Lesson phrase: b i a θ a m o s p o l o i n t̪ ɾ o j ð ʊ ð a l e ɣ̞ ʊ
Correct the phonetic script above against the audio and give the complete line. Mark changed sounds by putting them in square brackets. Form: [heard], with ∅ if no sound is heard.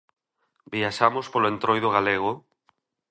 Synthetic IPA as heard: b i a [ʃ] a m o s p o l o [e] n t̪ ɾ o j ð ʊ [ɣ] a l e ɣ̞ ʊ